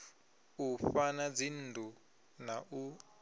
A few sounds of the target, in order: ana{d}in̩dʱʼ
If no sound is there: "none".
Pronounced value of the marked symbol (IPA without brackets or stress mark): d͡z